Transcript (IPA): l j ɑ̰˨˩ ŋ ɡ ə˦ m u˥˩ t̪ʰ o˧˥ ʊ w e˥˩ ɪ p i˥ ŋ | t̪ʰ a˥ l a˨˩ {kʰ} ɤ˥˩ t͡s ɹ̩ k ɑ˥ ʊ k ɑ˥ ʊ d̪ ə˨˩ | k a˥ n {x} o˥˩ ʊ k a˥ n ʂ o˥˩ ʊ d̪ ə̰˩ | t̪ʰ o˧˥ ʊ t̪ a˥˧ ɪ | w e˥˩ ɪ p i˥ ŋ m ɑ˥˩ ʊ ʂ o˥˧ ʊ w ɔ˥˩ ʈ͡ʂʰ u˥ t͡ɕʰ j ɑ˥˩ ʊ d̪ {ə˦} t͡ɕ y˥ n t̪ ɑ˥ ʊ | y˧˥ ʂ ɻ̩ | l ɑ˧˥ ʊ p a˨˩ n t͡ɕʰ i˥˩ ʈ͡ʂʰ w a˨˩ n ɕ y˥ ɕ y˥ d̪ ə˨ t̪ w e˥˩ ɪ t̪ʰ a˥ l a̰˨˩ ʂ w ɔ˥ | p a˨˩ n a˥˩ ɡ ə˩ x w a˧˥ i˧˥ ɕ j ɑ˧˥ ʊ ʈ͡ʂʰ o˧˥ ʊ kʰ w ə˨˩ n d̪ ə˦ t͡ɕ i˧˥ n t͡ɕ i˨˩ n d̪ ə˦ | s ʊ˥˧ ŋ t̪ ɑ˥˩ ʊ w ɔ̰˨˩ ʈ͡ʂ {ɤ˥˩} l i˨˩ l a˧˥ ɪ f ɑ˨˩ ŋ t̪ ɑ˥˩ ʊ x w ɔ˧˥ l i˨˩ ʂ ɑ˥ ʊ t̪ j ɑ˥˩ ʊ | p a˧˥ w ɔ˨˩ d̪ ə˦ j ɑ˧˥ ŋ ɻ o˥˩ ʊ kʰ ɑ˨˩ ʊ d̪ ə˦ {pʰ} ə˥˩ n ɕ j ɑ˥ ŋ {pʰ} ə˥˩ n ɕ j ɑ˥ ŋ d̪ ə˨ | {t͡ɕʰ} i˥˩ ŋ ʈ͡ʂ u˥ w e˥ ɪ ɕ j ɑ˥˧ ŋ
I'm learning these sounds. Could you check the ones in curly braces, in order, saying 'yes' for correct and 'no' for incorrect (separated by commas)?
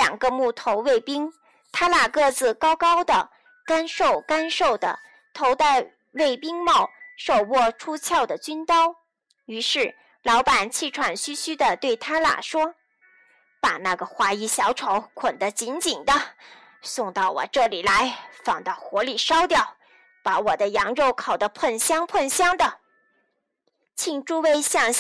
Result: no, no, no, yes, yes, yes, yes